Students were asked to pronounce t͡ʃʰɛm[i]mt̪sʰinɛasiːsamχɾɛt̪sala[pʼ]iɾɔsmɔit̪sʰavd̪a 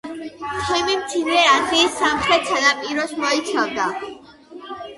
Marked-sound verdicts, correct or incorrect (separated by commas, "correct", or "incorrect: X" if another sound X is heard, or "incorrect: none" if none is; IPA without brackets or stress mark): correct, correct